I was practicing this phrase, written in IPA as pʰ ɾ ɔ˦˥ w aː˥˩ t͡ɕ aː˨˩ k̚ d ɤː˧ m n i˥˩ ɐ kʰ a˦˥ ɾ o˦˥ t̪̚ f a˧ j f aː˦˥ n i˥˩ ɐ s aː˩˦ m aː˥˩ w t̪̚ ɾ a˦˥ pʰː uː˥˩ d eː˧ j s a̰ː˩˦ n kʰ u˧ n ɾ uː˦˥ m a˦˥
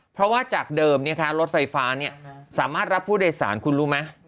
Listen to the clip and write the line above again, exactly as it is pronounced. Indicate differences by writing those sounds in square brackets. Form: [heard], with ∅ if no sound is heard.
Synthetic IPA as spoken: pʰ ɾ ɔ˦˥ w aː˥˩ t͡ɕ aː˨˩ k̚ d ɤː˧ m n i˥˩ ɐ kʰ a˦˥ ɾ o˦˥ t̪̚ f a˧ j f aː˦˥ n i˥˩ ɐ s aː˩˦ m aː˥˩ [∅] t̪̚ ɾ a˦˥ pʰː uː˥˩ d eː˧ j s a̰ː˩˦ n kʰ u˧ n ɾ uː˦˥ m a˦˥